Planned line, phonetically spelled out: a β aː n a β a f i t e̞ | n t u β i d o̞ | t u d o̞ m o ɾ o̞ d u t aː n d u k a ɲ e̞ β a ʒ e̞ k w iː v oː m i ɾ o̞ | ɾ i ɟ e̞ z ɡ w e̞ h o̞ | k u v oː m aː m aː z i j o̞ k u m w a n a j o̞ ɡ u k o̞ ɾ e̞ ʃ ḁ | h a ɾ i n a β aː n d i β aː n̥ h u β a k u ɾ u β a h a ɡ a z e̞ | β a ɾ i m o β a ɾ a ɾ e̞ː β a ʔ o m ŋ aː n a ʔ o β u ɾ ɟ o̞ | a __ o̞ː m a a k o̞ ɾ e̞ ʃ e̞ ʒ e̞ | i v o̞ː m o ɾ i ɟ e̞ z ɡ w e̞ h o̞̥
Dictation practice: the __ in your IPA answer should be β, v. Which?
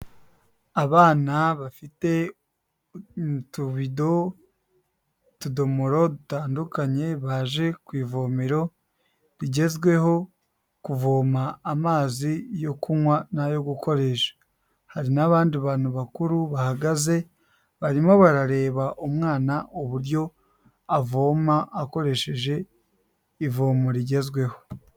v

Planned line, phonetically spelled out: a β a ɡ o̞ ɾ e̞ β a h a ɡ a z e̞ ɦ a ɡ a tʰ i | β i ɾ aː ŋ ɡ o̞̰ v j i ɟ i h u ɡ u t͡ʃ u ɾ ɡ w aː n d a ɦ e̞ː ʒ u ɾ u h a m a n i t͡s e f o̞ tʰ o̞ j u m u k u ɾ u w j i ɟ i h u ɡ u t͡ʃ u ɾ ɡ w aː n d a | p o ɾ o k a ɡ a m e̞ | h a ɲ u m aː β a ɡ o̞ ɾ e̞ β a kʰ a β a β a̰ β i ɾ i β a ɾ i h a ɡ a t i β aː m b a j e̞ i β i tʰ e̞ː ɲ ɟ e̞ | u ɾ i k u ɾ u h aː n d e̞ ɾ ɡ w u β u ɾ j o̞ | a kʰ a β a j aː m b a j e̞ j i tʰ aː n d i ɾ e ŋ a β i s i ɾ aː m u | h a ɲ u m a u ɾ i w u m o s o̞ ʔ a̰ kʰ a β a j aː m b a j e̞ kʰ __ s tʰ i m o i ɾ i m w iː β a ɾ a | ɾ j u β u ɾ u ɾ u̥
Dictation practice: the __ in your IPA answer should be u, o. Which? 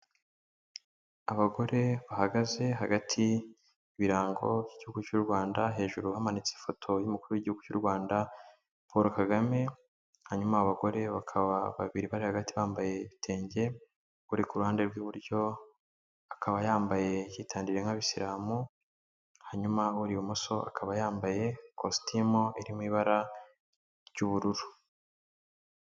o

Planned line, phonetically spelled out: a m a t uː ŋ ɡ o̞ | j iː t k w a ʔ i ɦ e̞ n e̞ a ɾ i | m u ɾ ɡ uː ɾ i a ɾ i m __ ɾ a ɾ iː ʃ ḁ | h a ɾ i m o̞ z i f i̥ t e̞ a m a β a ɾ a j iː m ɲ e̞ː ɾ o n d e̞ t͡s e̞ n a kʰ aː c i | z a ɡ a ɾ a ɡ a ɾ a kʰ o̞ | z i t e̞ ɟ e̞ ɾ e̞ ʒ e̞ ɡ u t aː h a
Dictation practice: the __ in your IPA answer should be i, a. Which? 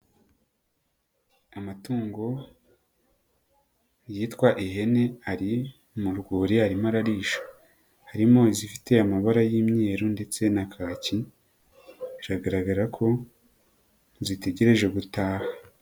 a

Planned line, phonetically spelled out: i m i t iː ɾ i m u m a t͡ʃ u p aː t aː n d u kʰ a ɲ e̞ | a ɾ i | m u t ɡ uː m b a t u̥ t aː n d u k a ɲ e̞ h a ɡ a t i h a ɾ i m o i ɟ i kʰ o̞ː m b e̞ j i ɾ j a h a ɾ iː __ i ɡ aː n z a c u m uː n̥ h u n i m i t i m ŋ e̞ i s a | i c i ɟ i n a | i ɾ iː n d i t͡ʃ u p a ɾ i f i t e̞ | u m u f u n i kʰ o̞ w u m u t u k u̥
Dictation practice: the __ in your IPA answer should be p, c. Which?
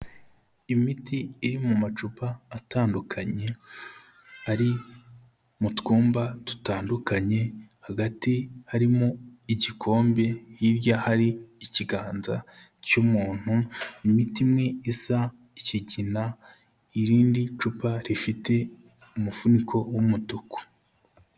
c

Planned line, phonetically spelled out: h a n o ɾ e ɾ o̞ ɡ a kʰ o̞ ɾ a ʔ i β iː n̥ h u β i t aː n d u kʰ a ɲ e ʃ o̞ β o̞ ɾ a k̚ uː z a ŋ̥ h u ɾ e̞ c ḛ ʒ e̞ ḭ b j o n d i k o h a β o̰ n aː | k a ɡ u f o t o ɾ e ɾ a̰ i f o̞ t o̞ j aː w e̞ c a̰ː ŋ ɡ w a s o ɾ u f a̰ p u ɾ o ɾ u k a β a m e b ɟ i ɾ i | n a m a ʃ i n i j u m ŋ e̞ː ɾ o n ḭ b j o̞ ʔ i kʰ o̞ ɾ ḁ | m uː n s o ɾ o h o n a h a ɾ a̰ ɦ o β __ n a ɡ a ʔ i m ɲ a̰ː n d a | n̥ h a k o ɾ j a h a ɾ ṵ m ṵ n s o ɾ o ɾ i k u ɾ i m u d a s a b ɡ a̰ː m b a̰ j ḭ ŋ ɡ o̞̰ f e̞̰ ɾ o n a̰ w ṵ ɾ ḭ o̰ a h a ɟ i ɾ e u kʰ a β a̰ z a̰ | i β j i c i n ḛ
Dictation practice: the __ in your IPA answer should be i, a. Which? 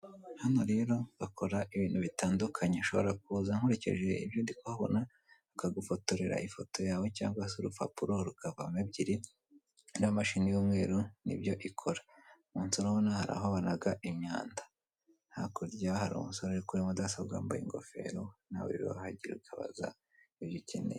a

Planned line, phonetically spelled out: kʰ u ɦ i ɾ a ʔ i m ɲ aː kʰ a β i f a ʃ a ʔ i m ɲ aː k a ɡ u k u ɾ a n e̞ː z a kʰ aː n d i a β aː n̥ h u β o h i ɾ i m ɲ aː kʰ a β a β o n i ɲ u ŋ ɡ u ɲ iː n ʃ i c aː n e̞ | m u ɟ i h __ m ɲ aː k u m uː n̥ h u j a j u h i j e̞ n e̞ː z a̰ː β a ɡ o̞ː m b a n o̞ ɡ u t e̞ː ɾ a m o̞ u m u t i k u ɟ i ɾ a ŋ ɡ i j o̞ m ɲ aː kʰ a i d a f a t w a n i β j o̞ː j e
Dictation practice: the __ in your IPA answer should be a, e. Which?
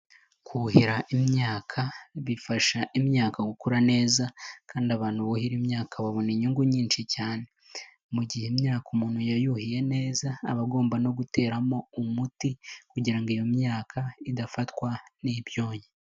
e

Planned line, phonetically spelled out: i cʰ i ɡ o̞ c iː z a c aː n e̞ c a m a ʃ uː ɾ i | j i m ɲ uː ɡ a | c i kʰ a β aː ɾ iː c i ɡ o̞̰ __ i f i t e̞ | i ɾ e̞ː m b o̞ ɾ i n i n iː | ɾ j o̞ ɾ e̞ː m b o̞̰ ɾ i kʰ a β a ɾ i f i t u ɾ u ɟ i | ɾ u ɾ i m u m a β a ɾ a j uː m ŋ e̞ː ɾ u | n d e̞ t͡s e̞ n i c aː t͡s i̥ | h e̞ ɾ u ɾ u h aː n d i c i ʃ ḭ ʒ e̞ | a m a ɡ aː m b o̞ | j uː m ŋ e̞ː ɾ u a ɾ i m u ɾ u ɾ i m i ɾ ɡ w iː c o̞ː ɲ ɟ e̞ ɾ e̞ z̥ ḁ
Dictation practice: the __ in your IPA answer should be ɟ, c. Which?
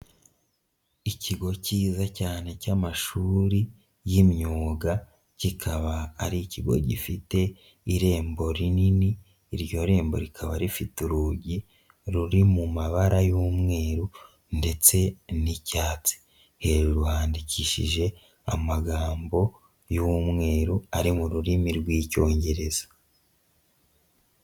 ɟ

